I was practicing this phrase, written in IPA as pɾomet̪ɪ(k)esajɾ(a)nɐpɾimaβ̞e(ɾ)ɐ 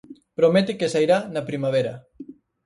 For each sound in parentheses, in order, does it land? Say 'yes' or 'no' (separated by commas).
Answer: yes, yes, yes